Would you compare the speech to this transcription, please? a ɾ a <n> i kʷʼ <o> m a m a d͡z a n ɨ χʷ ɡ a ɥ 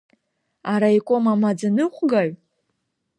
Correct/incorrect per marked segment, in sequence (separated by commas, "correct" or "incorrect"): incorrect, correct